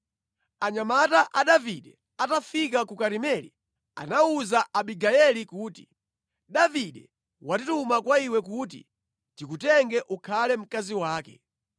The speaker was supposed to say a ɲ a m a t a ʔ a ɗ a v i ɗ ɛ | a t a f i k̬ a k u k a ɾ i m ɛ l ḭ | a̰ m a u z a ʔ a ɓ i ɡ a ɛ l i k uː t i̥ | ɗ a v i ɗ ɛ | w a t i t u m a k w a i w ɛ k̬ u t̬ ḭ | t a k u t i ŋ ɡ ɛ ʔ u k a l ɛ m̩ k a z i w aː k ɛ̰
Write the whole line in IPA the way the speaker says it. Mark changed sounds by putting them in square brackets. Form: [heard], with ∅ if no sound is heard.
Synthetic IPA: a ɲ a m a t a ʔ a ɗ a v i ɗ ɛ | a t a f i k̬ a k u k a ɾ i m ɛ l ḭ | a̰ [n] a u z a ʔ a ɓ i ɡ a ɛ l i k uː t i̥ | ɗ a v i ɗ ɛ | w a t i t u m a k w a i w ɛ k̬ u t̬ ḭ | t [i] k u t [ɛ] ŋ ɡ ɛ ʔ u [kʰ] a l ɛ m̩ k a z i w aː k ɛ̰